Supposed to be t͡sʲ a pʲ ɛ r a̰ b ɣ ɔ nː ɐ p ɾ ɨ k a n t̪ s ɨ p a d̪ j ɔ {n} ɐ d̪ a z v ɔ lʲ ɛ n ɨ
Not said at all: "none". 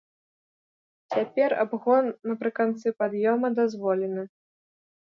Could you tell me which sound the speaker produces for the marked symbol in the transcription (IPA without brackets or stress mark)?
m